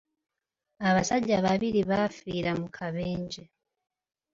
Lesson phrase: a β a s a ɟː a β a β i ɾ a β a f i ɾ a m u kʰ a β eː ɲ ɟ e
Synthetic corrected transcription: a β a s a ɟ a β a β i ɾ i β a f i ɾ a m u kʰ a β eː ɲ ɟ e

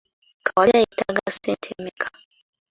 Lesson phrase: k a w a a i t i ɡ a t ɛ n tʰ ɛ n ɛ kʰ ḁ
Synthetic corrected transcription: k a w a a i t a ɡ a s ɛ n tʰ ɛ m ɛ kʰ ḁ

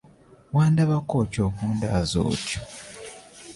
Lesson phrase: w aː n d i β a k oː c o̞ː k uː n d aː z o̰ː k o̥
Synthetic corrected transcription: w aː n d a β a k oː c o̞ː k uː n d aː z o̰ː c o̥

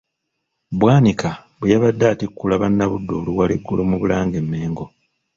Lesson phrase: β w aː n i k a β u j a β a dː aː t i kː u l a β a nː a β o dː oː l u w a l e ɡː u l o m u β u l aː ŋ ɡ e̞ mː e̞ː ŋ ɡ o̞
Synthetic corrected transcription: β w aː n i k a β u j a β a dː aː t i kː u l a β a nː a β u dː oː l u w a l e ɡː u l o m u β u l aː ŋ ɡ e̞ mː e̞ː ŋ ɡ o̞

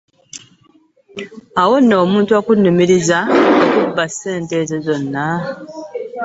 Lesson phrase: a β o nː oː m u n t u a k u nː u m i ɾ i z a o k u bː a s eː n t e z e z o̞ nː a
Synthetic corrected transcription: a w o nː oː m uː n t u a k u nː u m i ɾ i z a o k u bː a s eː n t e z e z o̞ nː a

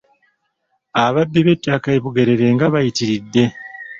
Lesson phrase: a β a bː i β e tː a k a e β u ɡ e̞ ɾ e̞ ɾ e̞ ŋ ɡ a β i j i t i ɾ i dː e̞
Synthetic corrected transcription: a β a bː i β e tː a k a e β u ɡ e̞ ɾ e̞ ɾ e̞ ŋ ɡ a β a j i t i ɾ i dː e̞

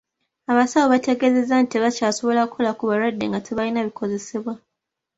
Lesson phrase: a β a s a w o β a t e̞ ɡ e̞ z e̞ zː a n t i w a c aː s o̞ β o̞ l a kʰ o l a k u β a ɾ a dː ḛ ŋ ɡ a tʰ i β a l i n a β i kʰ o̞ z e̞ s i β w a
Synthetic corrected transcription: a β a s a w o β a t e̞ ɡ e̞ z e̞ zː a n t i β a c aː s o̞ β o̞ l a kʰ o l a k u β a ɾ a dː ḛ ŋ ɡ a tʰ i β a l i n a β i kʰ o̞ z e̞ s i β w a

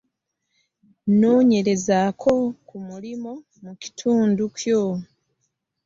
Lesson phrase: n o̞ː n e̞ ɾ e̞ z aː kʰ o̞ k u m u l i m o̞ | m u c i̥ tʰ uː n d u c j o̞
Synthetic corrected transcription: n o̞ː ɲ e̞ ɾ e̞ z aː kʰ o̞ k u m u l i m o̞ | m u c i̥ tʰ uː n d u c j o̞

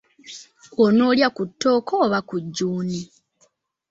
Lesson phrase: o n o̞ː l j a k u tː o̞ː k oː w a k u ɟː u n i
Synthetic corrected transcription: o n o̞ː l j a k u tː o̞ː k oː β a k u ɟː uː n i

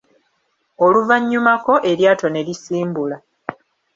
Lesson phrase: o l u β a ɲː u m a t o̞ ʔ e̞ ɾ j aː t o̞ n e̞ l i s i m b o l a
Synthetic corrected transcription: o l u v a ɲː u m a k o̞ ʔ e̞ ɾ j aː t o̞ n e̞ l i s iː m b u l a

